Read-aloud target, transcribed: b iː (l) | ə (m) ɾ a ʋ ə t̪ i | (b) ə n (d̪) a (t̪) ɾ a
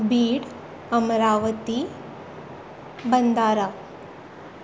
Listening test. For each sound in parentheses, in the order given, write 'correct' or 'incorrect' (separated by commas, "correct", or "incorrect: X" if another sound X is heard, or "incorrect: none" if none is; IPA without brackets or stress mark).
incorrect: ɽ, correct, correct, correct, incorrect: none